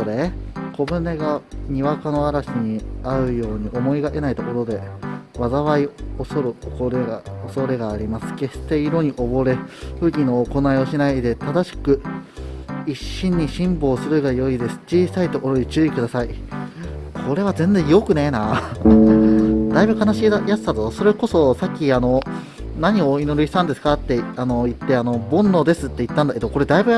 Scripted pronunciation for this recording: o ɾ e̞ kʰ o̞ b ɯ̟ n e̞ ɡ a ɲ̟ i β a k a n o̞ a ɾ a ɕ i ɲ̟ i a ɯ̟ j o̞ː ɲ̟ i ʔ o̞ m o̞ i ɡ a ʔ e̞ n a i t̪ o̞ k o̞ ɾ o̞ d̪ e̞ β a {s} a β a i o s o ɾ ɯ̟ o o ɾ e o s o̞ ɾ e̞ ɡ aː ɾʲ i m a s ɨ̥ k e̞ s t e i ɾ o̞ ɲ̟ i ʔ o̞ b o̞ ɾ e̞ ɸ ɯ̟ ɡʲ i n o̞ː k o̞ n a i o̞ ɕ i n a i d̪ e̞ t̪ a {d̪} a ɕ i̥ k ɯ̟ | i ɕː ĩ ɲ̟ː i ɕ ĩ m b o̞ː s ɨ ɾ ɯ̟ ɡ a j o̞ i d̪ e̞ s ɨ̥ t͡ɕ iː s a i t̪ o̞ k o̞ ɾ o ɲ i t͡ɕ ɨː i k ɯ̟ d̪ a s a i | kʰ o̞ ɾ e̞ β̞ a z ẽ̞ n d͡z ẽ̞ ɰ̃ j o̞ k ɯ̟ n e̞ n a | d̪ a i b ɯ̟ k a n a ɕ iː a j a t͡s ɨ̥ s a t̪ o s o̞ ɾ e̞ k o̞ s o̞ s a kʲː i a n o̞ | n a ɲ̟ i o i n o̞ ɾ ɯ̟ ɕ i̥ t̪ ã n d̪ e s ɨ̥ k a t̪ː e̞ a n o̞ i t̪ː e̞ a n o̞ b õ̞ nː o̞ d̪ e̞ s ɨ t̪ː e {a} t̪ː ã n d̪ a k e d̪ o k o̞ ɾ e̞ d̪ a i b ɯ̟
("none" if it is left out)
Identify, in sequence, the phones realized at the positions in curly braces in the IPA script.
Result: z, d̪, i

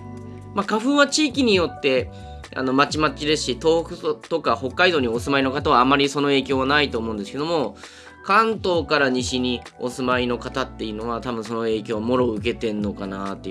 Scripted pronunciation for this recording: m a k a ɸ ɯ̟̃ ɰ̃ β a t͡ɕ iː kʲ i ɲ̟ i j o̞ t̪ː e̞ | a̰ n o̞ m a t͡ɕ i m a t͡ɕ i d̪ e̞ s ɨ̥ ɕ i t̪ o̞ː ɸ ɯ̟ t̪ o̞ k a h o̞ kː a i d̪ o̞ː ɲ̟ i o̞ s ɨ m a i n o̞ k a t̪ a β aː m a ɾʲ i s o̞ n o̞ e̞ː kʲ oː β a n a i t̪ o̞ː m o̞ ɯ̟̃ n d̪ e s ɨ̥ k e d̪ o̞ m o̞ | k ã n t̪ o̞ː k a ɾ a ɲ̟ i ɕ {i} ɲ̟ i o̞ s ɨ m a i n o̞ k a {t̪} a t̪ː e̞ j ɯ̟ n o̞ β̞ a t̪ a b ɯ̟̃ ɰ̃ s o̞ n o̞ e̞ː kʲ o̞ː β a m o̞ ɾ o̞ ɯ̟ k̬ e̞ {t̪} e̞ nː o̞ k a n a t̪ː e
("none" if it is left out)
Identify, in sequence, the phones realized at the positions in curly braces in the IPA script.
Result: i, t̪, t̪

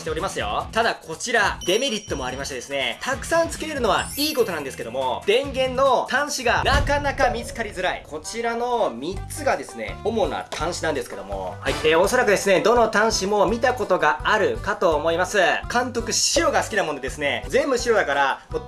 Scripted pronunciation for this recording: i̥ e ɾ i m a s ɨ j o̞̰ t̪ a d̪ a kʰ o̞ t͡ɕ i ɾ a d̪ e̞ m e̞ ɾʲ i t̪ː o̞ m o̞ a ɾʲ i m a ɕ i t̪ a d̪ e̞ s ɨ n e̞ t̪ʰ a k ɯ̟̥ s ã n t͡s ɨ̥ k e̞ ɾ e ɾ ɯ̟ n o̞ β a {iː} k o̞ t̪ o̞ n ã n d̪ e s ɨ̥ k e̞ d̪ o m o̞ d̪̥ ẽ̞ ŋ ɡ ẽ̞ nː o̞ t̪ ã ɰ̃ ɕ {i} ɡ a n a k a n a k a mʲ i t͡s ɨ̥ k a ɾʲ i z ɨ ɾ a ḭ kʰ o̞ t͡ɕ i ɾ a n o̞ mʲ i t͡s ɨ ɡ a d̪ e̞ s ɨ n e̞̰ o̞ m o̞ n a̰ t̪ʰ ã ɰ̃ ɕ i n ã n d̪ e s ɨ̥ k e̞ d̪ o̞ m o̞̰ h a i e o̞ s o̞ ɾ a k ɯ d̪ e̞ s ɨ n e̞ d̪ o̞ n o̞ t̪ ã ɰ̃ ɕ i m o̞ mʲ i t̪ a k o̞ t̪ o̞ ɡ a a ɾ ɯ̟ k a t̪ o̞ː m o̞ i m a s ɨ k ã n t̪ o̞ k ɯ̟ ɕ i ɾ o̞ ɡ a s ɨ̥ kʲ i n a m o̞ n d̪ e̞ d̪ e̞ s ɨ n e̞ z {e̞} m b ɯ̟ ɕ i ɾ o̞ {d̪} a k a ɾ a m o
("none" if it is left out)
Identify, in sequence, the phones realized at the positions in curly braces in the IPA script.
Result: iː, i, ẽ̞, d̪

